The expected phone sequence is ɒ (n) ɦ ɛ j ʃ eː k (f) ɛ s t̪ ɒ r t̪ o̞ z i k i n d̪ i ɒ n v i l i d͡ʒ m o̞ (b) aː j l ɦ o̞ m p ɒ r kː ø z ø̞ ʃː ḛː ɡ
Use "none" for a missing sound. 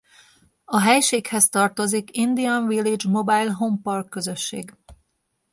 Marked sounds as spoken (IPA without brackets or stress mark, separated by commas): none, h, b